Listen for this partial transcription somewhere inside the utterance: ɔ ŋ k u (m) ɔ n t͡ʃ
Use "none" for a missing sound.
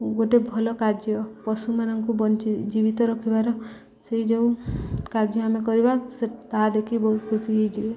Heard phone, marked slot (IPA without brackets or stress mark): b